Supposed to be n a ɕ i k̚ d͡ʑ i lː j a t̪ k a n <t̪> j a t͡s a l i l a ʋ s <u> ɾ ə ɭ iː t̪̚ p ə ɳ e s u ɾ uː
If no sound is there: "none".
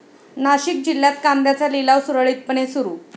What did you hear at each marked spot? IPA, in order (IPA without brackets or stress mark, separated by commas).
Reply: d̪, u